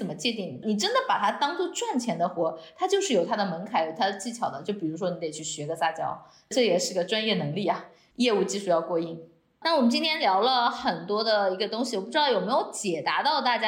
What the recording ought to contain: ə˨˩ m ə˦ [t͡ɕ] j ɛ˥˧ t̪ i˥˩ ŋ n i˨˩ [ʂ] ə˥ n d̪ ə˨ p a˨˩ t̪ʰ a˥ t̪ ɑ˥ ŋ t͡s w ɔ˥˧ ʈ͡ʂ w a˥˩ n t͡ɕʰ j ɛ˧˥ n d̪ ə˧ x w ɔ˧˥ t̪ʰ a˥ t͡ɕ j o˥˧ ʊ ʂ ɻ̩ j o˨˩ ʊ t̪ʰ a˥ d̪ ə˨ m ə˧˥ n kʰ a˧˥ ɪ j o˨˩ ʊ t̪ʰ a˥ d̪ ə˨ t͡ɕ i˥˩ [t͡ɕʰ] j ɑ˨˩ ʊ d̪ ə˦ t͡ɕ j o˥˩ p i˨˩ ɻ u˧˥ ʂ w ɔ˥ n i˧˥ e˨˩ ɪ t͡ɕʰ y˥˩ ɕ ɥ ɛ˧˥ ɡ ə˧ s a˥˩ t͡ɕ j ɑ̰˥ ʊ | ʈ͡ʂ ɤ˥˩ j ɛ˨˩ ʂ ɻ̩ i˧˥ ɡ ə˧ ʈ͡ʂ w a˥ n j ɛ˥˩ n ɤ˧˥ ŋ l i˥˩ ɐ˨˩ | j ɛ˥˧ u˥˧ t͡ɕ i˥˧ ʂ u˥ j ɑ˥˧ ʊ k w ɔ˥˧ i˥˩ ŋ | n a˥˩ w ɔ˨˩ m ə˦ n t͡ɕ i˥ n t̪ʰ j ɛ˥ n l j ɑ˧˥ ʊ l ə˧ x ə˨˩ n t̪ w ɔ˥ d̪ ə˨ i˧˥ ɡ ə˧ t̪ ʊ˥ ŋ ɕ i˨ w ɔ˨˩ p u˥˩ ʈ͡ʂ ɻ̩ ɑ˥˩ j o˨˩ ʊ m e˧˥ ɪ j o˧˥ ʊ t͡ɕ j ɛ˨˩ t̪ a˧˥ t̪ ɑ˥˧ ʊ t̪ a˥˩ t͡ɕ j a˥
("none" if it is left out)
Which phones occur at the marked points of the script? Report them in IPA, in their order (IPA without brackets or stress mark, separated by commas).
t͡ɕ, ʈ͡ʂ, t͡ɕʰ